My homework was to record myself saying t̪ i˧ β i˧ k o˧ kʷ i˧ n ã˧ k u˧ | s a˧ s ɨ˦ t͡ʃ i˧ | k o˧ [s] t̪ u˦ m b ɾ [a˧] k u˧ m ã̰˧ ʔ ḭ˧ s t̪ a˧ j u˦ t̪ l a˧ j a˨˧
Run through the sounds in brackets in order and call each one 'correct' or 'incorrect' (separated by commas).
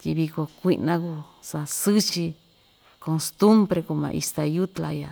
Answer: correct, incorrect